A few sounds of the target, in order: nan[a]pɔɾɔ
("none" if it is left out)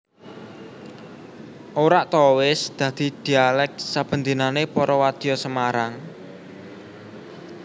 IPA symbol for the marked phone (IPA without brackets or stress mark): e